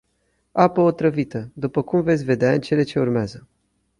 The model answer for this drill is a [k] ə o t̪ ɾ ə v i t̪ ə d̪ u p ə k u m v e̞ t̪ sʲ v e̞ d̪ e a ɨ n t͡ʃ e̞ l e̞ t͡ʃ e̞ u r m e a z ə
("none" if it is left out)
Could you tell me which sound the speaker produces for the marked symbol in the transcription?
p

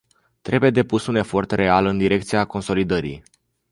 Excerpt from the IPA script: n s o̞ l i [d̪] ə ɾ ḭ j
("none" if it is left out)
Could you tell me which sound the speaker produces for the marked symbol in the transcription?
d̪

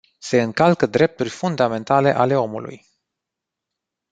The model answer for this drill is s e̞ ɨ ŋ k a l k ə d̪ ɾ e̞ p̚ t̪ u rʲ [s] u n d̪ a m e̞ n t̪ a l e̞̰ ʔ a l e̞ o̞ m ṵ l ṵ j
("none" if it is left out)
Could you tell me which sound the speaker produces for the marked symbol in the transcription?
f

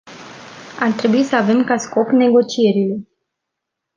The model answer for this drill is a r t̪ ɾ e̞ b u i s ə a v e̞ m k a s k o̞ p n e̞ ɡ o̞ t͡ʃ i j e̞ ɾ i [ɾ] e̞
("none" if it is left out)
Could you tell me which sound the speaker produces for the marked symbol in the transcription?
l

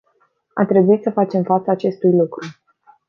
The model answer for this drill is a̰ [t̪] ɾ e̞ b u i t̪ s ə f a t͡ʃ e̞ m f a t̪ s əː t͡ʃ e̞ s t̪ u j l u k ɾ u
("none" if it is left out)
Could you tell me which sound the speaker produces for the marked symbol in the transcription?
t̪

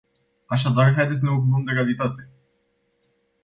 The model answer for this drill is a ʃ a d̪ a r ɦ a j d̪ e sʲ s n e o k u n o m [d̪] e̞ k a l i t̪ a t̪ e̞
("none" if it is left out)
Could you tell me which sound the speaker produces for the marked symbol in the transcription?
d̪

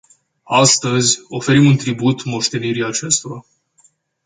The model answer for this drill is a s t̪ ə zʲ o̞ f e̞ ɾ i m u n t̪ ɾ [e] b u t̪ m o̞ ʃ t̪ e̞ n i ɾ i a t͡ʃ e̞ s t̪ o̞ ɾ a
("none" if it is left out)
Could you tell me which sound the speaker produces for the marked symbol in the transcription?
i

